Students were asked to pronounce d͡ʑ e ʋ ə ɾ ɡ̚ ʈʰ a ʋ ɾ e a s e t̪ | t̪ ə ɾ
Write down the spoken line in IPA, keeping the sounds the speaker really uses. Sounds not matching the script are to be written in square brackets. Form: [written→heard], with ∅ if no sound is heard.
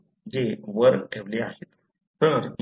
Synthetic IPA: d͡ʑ e ʋ ə ɾ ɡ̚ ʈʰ [a→e] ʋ [ɾ→l] e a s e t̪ | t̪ ə ɾ